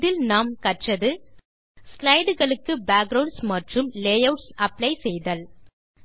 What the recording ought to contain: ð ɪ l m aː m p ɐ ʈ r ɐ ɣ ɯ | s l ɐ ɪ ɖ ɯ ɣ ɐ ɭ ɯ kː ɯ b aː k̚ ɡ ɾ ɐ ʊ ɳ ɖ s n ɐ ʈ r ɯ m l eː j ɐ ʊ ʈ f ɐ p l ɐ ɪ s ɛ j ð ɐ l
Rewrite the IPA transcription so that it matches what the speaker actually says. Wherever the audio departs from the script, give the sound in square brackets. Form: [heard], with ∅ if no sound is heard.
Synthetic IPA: ð ɪ l [n] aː m [k] ɐ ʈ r ɐ [ð] ɯ | s l ɐ ɪ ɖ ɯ ɣ ɐ ɭ ɯ kː ɯ b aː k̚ ɡ ɾ ɐ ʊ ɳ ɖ s [m] ɐ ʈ r ɯ m l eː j ɐ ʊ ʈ [s] ɐ p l ɐ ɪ s ɛ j ð ɐ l